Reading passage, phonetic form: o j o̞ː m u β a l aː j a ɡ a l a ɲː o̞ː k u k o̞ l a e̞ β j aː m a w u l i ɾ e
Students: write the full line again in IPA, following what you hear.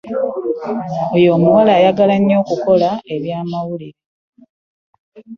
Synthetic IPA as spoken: o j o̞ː m u w a l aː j a ɡ a l a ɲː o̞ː k u k o̞ l a e̞ β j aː m a w u l i ɾ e